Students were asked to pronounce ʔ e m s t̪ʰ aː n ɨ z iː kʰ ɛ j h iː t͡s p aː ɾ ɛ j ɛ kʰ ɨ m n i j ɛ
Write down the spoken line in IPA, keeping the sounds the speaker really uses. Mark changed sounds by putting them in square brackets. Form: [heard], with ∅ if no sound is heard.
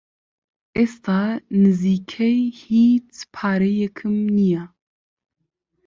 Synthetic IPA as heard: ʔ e [∅] s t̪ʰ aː n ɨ z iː kʰ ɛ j h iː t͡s [pʰ] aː ɾ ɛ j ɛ kʰ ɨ m n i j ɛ